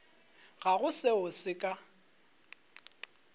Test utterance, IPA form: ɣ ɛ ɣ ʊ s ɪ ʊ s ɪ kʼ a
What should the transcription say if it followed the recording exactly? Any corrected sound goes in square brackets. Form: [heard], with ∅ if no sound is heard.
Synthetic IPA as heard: ɣ [a] ɣ ʊ s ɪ ʊ s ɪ kʼ a